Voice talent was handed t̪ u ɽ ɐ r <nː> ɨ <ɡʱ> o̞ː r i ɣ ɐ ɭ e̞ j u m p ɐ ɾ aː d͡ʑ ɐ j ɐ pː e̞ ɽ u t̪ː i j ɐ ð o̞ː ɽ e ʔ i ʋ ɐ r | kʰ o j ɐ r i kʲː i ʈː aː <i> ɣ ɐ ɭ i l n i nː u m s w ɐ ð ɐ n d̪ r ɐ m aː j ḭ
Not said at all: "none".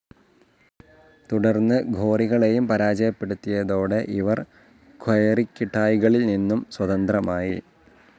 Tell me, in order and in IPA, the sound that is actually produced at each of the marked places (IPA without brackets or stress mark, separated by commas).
nː, ɡʱ, j